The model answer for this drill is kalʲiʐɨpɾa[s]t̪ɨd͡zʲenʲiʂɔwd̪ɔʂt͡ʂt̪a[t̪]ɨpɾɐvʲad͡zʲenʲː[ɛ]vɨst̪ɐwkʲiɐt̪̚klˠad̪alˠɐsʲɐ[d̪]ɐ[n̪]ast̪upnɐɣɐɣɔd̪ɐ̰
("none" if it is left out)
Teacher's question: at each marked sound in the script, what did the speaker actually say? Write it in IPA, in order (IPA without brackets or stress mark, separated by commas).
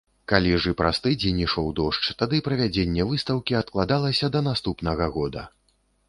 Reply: s, d̪, ɛ, d̪, n̪